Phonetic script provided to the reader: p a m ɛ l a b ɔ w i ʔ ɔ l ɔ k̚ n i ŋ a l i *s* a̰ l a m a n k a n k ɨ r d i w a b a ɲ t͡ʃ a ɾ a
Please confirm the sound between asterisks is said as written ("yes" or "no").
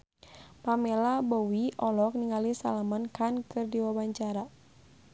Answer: yes